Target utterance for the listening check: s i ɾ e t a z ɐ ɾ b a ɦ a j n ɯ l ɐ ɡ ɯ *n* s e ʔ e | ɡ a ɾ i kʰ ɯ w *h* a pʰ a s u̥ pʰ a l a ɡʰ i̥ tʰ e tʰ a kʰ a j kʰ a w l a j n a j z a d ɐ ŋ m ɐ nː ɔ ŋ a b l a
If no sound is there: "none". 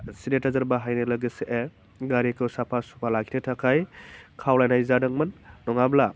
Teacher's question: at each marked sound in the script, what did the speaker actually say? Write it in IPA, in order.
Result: none, s

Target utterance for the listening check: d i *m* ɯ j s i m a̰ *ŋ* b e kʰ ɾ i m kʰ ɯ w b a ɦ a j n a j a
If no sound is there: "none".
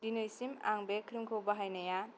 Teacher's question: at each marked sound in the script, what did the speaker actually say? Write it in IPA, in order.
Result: n, ŋ

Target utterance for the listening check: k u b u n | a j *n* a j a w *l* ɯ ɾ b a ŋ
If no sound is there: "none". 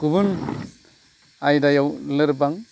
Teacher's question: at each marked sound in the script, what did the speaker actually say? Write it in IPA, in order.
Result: d, l

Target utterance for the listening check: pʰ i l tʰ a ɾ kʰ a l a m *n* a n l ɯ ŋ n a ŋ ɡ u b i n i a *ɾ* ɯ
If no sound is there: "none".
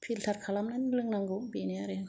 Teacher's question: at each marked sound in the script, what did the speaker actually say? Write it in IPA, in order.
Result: n, ɾ

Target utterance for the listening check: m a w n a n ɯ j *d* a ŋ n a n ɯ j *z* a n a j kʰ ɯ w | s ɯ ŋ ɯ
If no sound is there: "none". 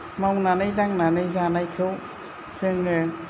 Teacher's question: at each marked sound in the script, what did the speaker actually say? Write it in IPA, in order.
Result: d, z

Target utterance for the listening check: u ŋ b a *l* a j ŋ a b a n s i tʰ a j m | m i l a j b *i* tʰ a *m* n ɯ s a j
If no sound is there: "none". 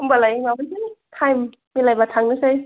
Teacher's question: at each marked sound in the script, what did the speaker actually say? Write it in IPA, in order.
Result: l, a, ŋ

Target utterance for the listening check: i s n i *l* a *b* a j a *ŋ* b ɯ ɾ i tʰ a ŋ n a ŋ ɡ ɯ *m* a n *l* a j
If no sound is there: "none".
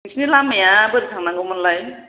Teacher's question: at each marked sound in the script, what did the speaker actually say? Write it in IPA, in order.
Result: l, m, none, m, l

